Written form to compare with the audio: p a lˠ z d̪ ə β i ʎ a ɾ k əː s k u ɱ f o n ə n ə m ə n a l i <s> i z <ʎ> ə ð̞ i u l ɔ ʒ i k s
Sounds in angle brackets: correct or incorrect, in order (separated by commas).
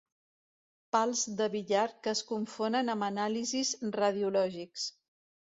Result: incorrect, incorrect